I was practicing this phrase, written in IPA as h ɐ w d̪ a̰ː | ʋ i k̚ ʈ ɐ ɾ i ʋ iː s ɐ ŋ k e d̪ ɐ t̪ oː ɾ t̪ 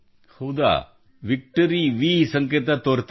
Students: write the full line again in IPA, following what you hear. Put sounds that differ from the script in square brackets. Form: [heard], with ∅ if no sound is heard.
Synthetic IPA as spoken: h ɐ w d̪ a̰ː | ʋ i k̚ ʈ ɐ ɾ i ʋ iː s ɐ ŋ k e [t̪] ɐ t̪ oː ɾ t̪